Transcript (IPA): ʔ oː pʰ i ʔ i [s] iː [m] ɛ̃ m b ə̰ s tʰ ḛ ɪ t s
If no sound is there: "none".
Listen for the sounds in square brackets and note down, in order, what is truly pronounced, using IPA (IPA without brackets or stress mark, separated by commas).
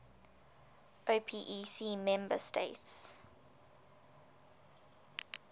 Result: s, m